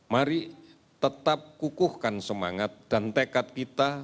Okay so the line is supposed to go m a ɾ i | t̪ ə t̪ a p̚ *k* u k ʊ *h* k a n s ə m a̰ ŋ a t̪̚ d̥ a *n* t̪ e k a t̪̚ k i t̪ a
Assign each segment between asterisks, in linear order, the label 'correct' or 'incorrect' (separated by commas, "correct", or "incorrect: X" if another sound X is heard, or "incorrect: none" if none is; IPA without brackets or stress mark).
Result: correct, correct, correct